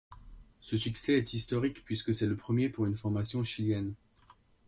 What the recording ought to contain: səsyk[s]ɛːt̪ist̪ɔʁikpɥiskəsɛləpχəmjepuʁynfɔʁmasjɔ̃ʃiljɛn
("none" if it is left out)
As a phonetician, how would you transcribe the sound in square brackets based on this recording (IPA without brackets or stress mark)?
s